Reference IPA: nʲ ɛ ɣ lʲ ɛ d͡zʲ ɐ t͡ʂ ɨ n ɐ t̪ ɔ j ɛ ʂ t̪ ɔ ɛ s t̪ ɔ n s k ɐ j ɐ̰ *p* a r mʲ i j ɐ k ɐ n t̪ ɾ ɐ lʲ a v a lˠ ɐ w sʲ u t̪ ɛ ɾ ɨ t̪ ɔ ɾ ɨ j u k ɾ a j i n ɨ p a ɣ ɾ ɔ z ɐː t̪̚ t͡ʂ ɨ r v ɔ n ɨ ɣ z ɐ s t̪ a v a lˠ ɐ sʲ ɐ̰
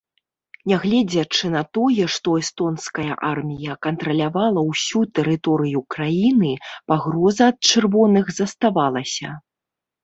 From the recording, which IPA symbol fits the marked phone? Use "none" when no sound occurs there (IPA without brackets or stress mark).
ʔ